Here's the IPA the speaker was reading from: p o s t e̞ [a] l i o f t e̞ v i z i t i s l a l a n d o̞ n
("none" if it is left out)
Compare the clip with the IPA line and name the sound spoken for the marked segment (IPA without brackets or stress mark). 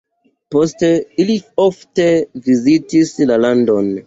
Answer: i